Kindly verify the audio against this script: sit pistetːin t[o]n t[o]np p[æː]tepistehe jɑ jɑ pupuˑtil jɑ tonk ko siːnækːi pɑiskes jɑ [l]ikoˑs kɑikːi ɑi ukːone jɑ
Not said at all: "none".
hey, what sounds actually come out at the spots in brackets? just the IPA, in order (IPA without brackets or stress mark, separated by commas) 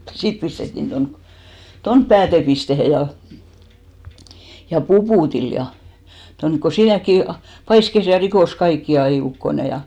o, o, æː, r